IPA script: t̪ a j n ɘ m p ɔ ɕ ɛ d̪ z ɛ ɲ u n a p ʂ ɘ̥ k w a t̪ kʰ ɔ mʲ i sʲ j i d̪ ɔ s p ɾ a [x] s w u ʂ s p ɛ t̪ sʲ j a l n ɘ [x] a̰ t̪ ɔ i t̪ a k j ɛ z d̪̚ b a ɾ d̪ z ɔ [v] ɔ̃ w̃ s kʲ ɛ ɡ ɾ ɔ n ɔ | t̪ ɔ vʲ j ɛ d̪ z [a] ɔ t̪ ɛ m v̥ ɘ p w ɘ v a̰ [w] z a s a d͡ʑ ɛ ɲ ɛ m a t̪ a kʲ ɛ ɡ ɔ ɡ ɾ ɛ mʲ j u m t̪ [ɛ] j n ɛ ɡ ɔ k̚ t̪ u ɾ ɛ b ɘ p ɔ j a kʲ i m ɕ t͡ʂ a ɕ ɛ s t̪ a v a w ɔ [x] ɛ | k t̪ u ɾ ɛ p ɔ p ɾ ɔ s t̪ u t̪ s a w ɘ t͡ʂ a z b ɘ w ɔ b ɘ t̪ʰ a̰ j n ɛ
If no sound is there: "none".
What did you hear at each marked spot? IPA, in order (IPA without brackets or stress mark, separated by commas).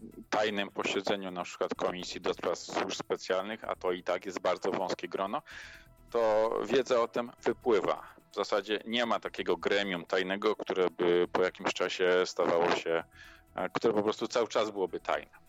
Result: f, x, v, ɛ, v, a, ɕ